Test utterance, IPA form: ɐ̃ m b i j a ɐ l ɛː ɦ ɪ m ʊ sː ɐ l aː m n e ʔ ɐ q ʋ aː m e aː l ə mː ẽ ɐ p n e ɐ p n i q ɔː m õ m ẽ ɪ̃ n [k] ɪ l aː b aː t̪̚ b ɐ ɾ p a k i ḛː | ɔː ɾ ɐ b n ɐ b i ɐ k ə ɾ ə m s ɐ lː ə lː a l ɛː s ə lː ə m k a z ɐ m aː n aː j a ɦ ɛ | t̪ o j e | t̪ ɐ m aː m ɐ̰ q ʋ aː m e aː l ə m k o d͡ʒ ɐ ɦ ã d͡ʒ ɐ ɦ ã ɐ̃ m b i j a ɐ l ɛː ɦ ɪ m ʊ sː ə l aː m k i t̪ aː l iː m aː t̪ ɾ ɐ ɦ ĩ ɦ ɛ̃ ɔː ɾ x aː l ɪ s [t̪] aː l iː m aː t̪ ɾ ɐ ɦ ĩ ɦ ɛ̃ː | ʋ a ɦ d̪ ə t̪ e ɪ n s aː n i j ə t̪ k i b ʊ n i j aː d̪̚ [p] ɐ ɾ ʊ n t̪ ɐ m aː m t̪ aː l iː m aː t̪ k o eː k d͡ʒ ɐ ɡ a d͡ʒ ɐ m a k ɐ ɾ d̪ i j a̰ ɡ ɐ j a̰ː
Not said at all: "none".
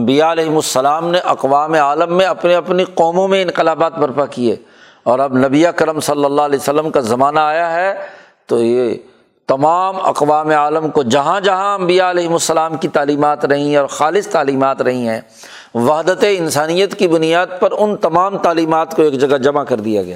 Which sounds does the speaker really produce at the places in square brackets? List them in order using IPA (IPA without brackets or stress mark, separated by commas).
q, t̪, p